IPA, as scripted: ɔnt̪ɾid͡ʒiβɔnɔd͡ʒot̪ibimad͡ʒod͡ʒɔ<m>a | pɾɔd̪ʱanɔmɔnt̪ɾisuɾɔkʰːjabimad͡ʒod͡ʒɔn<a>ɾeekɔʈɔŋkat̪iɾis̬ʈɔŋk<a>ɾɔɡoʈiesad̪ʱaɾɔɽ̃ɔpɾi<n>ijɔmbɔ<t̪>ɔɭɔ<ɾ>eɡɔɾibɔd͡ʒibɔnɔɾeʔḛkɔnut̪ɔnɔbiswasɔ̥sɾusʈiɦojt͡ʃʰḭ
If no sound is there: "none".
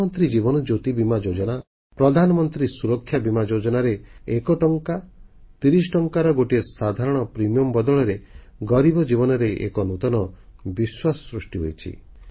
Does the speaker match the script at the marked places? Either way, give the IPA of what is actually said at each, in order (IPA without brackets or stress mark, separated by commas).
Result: n, a, a, m, d̪, ɾ